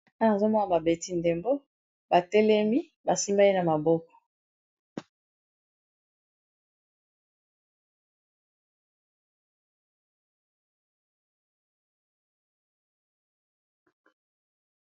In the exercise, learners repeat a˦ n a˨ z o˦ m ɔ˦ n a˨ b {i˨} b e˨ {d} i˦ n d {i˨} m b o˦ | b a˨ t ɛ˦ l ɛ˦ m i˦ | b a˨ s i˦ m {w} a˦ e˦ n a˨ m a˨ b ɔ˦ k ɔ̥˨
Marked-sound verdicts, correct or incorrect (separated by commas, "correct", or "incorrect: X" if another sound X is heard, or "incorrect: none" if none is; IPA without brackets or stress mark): incorrect: a˨, incorrect: t, incorrect: e˨, incorrect: b